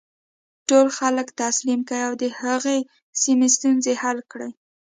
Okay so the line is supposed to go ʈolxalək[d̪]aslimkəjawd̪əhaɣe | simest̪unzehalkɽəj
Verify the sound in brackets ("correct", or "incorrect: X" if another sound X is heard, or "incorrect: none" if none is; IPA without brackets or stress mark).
incorrect: t̪